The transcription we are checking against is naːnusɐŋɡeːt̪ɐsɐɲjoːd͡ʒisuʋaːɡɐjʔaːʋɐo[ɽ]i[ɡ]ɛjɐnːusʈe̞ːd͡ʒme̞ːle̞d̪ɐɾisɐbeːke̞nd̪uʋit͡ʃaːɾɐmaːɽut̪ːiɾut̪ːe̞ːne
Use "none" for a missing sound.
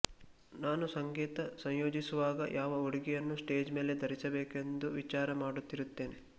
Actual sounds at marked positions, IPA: ɽ, ɡ

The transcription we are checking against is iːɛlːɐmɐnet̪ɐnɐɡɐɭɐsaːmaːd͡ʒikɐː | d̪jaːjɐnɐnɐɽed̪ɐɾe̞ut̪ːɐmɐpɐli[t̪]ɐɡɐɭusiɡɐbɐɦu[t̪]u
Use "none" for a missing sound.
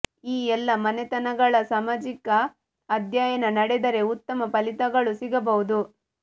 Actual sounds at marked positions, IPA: t̪, d̪

